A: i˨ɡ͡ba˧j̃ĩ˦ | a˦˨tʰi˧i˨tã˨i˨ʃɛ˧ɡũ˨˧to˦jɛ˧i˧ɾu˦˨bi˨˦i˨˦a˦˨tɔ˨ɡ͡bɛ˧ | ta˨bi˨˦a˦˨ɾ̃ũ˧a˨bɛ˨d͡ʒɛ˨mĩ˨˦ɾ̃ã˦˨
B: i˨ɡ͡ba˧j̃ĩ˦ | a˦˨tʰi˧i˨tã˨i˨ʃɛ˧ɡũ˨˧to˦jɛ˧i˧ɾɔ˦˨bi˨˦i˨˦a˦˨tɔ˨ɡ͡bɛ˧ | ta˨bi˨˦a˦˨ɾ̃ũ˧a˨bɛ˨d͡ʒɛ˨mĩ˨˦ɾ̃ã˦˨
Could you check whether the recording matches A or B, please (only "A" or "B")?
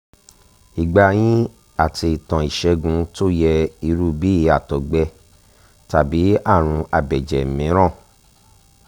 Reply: A